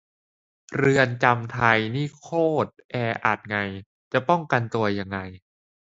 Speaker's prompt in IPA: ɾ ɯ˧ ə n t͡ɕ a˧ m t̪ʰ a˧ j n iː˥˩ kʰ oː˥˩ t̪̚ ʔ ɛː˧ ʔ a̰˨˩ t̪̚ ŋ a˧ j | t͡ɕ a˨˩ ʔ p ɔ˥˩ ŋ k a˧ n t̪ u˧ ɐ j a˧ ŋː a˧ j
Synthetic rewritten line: ɾ ɯ˧ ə n t͡ɕ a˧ m t̪ʰ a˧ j n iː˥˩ kʰ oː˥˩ t̪̚ ʔ ɛː˧ ʔ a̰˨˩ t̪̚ ŋ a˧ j | t͡ɕ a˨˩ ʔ p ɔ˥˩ ŋ k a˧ n t̪ u˧ ɐ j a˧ ŋː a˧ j